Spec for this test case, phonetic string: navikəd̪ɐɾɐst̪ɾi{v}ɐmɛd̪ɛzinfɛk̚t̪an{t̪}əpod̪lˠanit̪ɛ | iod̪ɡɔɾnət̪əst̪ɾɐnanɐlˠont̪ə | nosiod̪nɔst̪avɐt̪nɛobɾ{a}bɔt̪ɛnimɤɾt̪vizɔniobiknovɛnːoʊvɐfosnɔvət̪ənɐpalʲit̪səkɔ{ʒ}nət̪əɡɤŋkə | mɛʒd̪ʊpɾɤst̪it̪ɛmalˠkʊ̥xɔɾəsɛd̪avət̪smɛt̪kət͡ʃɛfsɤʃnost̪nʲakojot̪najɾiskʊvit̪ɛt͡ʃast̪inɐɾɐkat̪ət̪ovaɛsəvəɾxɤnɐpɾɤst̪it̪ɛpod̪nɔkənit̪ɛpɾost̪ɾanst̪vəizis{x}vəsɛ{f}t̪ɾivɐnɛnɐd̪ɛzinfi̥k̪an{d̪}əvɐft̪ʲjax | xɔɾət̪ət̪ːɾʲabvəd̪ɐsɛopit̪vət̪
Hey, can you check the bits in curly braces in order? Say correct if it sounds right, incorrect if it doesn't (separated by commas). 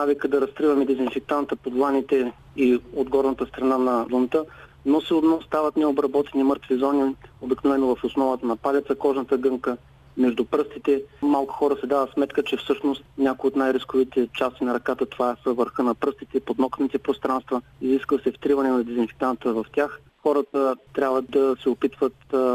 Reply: correct, correct, incorrect, correct, incorrect, correct, incorrect